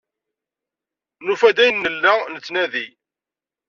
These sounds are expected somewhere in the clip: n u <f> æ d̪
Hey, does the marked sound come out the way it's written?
yes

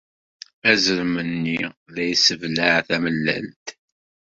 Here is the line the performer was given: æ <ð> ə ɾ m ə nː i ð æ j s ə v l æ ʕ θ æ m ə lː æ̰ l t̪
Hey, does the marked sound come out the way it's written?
no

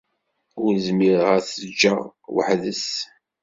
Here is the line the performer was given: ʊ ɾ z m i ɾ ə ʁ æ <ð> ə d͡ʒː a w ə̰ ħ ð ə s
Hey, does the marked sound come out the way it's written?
no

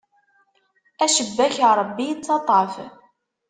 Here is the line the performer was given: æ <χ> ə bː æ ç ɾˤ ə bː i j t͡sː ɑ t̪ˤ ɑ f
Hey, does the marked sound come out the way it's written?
no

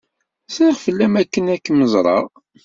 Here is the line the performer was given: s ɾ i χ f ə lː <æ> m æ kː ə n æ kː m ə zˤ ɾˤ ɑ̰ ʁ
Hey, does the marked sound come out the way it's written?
yes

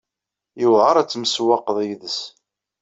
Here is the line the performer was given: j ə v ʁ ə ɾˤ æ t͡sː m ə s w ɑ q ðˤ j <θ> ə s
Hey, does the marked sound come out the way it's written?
no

